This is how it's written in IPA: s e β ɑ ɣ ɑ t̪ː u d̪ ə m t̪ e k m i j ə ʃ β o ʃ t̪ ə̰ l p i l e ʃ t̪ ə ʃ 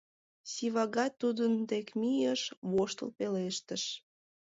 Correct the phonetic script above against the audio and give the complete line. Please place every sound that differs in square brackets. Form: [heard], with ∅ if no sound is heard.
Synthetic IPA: s [i] β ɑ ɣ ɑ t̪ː u d̪ ə [n] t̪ e k m i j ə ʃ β o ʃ t̪ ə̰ l p [e] l e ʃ t̪ ə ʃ